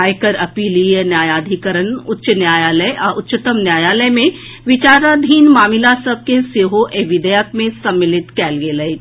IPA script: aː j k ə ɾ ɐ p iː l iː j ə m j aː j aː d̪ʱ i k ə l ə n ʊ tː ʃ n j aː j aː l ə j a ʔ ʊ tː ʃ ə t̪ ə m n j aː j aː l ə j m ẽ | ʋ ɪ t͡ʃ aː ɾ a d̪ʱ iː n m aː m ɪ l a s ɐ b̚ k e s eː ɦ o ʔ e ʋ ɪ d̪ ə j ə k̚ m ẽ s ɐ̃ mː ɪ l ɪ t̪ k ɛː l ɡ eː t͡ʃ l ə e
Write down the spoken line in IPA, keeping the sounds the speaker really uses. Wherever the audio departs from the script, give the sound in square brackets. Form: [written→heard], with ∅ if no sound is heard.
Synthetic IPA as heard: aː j k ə ɾ ɐ p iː l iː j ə [m→n] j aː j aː d̪ʱ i k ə [l→ɾ] ə n ʊ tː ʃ n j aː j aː l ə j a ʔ ʊ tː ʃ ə t̪ ə m n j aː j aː l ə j m ẽ | ʋ ɪ t͡ʃ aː ɾ a d̪ʱ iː n m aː m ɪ l a s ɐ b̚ k e s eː ɦ o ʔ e ʋ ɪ d̪ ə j ə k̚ m ẽ s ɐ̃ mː ɪ l ɪ t̪ k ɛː l ɡ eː [t͡ʃ→∅] l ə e